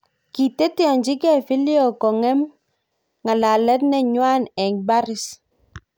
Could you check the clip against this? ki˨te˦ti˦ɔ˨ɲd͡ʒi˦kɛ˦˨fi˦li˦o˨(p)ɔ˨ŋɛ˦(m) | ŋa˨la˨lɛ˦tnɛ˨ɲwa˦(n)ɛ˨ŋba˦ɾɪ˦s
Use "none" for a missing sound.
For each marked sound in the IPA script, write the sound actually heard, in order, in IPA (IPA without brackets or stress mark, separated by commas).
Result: k, m, n